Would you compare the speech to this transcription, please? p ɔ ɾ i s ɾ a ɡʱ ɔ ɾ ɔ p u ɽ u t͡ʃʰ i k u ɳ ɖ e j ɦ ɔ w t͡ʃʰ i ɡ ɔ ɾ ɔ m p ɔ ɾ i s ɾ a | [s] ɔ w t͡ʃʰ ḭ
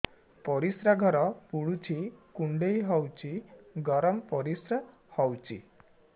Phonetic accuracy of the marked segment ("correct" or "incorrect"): incorrect